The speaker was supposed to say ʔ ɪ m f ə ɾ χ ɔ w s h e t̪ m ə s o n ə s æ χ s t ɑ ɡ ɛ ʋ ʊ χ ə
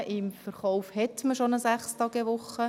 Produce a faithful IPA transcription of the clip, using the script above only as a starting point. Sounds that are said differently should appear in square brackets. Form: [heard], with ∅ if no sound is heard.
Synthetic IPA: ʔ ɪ m f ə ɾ χ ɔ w [f] h [ɛ] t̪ m ə [ʃ] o n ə s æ χ s t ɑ ɡ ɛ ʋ ʊ χ ə